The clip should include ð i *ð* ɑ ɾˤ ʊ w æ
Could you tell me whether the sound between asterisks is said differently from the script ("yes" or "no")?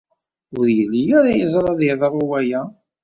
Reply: no